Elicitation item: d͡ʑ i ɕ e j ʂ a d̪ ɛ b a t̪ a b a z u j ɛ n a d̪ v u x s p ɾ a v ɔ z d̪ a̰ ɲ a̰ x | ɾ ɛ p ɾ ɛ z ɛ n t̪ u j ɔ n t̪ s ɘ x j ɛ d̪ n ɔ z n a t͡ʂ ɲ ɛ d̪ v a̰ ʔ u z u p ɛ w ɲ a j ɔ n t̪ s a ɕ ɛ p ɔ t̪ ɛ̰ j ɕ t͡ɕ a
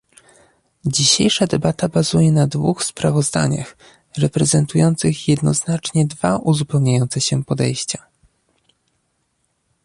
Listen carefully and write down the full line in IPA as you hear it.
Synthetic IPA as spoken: d͡ʑ i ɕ e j ʂ a d̪ ɛ b a t̪ a b a z u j ɛ n a d̪ v u x s p ɾ a v ɔ z d̪ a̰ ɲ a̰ x | ɾ ɛ p ɾ ɛ z ɛ n t̪ u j ɔ n t̪ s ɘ x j ɛ d̪ n ɔ z n a t͡ʂ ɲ ɛ d̪ v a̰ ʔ u z u p ɛ w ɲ a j ɔ n t̪ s ɛ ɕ ɛ p ɔ d̪ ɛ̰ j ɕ t͡ɕ a